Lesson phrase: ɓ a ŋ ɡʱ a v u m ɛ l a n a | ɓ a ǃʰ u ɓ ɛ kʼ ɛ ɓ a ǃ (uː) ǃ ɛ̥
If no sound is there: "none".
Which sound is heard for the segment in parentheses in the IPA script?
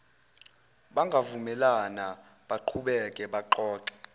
ɔː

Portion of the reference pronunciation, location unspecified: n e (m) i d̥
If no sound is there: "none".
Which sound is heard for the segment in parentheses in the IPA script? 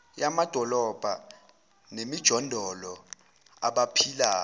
m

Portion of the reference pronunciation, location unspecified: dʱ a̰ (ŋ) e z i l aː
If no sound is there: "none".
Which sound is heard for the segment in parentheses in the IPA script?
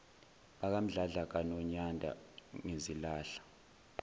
ŋ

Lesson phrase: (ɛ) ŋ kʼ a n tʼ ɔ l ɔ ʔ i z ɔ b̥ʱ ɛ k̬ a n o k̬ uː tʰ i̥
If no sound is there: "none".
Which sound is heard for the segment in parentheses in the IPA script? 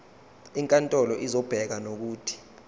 i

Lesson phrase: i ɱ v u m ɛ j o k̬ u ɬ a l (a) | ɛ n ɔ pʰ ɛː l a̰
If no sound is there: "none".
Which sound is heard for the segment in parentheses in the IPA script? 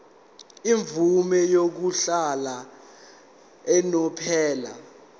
a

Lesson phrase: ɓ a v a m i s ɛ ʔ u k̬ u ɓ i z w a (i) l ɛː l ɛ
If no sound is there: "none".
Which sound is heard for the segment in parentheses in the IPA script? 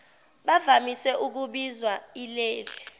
i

